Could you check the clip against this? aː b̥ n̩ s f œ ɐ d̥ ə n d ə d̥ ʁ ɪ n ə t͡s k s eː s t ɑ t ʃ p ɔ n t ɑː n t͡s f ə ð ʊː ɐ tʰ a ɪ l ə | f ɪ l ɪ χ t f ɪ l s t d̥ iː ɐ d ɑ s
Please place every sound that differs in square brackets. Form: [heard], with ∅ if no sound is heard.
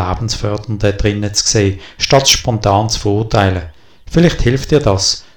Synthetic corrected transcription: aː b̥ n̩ s f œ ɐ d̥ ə n d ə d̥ ʁ ɪ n ə t͡s k s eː [ʃ] t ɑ t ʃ p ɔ n t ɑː n t͡s f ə [ʁ] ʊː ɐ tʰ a ɪ l ə | f ɪ l ɪ χ t [h] ɪ l [f] t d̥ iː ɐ d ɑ s